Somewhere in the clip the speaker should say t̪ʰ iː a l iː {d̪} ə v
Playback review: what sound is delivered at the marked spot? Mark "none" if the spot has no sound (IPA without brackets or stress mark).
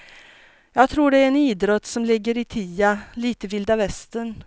t̪